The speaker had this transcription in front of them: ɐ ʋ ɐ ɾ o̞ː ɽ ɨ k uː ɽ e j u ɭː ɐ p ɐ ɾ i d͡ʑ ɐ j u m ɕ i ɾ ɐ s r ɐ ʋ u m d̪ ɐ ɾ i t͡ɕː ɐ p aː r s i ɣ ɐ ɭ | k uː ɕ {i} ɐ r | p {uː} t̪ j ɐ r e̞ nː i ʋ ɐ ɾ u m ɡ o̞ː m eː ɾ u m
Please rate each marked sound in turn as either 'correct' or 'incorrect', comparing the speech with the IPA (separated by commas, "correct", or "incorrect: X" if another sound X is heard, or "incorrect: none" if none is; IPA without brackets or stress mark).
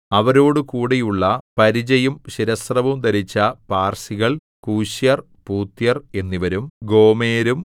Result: incorrect: j, correct